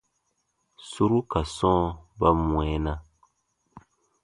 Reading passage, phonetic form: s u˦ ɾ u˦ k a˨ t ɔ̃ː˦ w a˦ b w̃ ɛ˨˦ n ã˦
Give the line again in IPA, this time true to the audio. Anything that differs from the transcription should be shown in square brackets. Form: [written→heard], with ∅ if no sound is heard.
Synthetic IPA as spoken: s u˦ ɾ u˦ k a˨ [t→s] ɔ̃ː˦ [w→b] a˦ [b→m] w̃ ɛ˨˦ n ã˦